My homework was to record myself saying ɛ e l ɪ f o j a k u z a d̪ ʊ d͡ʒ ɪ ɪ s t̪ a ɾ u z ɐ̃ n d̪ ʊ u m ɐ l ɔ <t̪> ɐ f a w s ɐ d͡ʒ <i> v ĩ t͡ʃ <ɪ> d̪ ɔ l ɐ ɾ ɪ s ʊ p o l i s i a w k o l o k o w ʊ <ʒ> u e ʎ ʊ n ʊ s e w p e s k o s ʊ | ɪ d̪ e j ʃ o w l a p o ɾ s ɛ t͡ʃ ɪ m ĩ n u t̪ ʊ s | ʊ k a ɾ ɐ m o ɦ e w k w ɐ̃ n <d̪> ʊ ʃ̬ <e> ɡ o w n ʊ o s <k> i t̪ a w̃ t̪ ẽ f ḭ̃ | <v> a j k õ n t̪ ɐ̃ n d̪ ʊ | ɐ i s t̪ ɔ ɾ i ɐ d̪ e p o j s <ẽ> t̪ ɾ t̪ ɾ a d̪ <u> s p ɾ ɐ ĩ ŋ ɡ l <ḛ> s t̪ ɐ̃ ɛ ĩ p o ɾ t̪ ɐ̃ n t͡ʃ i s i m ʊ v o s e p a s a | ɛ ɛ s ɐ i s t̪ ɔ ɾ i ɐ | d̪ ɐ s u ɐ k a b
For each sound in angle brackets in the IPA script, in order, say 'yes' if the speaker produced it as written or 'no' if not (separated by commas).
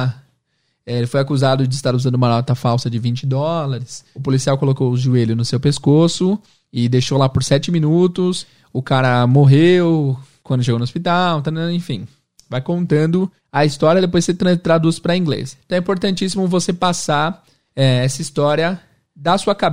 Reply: yes, no, yes, yes, yes, yes, no, yes, no, yes, yes